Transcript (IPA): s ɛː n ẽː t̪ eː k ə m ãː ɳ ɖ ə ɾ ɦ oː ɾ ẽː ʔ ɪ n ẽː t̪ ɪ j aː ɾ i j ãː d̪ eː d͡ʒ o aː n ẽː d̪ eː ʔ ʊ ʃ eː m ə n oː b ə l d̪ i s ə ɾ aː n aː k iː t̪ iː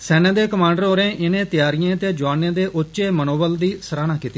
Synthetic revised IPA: s ɛː n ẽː d̪ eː k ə m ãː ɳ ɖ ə ɾ ɦ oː ɾ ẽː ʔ ɪ n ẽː t̪ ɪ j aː ɾ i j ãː t̪ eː d͡ʒ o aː n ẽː d̪ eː ʔ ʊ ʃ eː m ə n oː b ə l d̪ iː s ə ɾ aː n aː k iː t̪ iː